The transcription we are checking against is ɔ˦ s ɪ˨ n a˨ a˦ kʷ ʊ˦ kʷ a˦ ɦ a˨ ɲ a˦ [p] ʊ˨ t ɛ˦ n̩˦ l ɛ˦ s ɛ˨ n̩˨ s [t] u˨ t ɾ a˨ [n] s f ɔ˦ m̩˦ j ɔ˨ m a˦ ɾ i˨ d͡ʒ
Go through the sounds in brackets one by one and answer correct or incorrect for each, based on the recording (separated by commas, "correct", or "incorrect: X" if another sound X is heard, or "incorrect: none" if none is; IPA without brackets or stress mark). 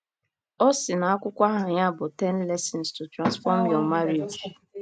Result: incorrect: b, correct, correct